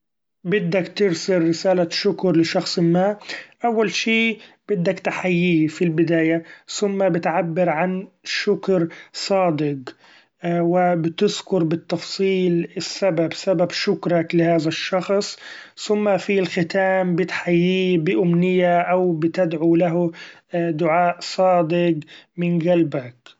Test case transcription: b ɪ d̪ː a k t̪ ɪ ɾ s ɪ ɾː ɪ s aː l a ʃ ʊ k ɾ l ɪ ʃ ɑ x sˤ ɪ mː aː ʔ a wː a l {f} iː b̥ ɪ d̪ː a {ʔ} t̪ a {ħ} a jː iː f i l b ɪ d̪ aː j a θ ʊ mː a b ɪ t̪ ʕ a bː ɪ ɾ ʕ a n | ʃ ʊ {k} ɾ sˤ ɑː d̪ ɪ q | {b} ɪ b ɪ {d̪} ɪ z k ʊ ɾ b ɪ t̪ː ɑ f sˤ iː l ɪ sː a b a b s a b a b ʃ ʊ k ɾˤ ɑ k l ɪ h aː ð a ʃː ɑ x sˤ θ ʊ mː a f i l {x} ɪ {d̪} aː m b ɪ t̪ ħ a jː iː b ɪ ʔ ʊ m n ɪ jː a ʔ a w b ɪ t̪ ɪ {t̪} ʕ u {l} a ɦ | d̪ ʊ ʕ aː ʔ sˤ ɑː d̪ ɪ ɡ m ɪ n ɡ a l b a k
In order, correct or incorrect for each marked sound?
incorrect: ʃ, incorrect: k, correct, correct, incorrect: w, incorrect: t̪, correct, incorrect: t̪, incorrect: d̪, correct

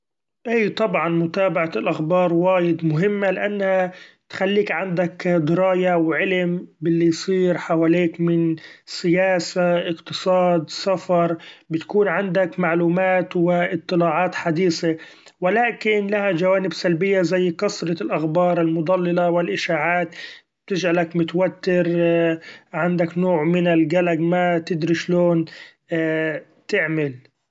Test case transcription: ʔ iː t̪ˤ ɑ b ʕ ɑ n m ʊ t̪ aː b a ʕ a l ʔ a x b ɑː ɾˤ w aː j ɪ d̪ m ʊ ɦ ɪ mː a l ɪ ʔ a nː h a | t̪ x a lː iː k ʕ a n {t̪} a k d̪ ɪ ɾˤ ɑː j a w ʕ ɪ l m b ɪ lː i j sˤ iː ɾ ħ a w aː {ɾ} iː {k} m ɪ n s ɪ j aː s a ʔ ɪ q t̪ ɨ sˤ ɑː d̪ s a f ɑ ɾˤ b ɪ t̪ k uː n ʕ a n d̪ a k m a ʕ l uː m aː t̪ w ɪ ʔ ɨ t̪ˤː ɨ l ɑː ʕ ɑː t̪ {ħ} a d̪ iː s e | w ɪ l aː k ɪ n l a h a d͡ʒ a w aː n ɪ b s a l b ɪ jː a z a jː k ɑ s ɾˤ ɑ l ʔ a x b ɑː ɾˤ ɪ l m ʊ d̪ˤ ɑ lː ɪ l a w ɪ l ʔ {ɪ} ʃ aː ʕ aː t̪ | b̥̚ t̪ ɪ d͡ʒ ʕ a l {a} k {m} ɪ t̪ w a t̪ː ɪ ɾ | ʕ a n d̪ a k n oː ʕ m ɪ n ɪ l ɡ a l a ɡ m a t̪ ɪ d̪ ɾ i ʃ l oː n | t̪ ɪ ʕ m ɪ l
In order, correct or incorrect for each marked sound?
incorrect: d̪, incorrect: l, correct, correct, correct, correct, correct

